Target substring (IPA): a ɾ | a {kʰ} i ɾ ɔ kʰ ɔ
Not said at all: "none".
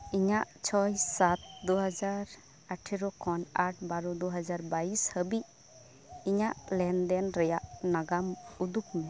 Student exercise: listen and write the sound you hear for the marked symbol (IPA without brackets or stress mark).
ʈʰ